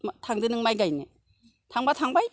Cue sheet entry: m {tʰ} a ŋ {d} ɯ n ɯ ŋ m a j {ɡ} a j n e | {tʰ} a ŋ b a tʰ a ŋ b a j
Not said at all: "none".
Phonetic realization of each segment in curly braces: tʰ, d, ɡ, tʰ

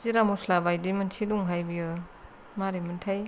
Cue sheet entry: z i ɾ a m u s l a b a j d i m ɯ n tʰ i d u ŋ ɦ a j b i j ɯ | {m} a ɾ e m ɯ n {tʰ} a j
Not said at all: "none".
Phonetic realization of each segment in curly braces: m, tʰ

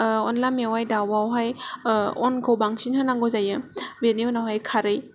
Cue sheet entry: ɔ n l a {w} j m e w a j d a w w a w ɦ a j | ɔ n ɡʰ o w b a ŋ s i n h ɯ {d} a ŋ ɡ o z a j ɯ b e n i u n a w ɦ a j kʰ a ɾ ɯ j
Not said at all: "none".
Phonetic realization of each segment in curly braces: none, n

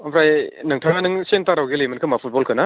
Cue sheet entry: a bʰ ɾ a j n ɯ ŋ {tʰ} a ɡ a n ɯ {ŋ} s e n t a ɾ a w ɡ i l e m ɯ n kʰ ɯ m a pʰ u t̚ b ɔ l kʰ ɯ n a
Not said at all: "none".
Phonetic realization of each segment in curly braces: tʰ, ŋ

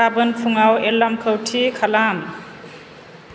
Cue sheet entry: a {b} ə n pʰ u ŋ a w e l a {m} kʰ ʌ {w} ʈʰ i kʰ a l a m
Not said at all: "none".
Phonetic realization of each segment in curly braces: b, m, w

